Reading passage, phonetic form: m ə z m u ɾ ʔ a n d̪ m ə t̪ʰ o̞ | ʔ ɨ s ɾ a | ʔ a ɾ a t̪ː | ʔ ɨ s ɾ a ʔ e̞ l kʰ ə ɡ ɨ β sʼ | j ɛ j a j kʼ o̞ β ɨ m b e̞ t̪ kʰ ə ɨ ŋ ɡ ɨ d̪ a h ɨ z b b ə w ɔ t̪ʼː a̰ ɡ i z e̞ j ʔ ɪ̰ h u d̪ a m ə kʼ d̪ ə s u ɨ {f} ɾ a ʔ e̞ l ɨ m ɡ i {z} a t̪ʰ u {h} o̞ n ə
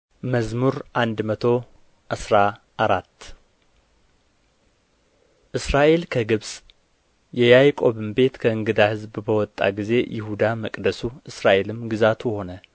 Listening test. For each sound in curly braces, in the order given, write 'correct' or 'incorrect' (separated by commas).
incorrect, correct, correct